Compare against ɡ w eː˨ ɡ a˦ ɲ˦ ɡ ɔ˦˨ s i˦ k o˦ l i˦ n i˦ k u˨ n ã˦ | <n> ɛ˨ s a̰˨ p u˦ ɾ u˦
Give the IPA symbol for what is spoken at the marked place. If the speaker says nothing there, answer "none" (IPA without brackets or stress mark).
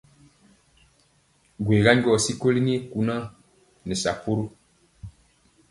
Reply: n